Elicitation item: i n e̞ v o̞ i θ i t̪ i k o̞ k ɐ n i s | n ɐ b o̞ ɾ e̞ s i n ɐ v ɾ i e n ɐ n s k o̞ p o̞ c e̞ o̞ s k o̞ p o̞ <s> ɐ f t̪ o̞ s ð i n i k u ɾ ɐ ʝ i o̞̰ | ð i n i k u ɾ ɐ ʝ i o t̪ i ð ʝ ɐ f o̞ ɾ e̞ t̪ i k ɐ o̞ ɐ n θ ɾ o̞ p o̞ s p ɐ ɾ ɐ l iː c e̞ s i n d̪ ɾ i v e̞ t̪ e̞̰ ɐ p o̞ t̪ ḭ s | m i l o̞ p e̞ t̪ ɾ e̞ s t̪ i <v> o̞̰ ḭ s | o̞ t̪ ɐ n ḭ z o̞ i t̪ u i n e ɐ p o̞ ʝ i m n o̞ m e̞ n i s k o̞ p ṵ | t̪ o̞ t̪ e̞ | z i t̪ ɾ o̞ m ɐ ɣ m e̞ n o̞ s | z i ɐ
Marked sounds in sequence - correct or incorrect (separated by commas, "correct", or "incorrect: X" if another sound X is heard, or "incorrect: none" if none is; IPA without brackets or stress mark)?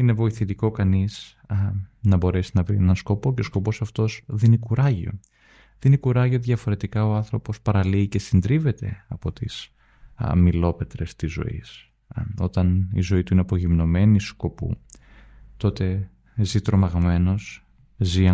correct, incorrect: z